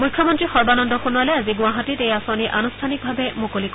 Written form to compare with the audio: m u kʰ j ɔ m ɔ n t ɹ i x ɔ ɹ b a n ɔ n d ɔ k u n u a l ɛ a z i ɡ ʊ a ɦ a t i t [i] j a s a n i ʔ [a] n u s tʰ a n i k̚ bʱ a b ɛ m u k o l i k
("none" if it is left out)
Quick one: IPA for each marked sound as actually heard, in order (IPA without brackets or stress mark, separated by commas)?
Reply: e, a